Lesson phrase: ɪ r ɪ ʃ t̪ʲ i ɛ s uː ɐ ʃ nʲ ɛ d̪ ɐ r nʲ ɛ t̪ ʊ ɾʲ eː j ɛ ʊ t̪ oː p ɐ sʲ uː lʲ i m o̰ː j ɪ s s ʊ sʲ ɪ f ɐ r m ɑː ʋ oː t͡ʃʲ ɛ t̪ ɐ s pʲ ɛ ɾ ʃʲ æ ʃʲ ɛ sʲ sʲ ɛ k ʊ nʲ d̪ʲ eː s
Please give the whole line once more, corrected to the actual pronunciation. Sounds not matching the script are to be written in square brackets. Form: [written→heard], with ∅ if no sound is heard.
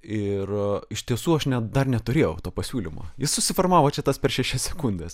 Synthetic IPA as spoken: ɪ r ɪ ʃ t̪ʲ i ɛ s uː ɐ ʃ nʲ ɛ d̪ ɐ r nʲ ɛ t̪ ʊ ɾʲ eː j ɛ ʊ t̪ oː p ɐ sʲ uː lʲ i m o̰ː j ɪ s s ʊ sʲ ɪ f ɐ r m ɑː ʋ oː t͡ʃʲ ɛ t̪ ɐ s pʲ ɛ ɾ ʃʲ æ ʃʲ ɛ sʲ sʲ ɛ k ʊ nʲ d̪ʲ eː s